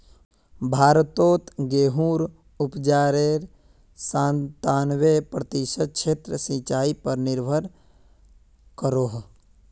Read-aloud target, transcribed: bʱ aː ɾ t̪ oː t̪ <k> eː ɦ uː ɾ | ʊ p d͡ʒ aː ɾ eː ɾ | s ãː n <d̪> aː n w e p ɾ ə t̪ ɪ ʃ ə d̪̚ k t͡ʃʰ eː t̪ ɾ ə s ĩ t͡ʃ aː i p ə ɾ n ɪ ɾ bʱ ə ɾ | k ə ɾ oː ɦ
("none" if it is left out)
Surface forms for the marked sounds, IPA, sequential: ɡ, t̪

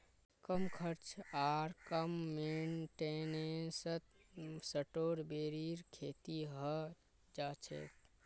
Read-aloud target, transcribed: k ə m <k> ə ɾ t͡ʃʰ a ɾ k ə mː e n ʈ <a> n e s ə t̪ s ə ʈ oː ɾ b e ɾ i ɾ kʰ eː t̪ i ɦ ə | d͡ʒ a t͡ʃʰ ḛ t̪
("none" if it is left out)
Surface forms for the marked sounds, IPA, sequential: kʰ, e

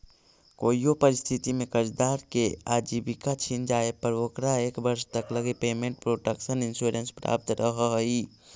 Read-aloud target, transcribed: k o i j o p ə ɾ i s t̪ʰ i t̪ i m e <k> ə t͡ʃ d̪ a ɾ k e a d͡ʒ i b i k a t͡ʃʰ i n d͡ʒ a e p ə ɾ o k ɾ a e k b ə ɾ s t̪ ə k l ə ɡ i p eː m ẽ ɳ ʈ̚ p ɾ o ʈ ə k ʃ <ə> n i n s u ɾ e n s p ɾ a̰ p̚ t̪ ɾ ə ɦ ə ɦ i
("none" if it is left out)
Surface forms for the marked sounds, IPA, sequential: k, ə

